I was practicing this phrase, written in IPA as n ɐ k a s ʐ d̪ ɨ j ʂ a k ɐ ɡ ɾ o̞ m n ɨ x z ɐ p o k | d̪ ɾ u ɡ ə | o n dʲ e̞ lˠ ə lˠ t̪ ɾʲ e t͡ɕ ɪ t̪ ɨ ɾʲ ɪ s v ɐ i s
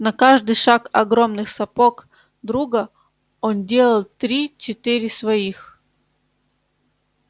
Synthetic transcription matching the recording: n ɐ k a ʐ d̪ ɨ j ʂ a k ɐ ɡ ɾ o̞ m n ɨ x s ɐ p o k | d̪ ɾ u ɡ ə | o n dʲ e̞ lˠ ə lˠ t̪ ɾʲ i t͡ɕ ɪ t̪ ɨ ɾʲ ɪ s v ɐ i x